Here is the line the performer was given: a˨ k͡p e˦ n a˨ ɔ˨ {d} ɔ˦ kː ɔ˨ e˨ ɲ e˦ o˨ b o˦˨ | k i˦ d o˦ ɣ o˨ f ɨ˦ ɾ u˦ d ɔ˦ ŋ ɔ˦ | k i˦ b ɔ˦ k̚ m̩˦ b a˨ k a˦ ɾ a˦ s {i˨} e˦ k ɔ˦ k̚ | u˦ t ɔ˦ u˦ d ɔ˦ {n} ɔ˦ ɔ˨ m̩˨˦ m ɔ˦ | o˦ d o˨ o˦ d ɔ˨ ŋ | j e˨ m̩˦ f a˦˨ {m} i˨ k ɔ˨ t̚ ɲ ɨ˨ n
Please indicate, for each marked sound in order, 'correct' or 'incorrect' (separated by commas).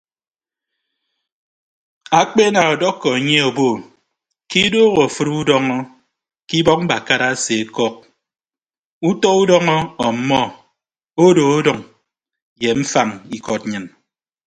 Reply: correct, incorrect, incorrect, incorrect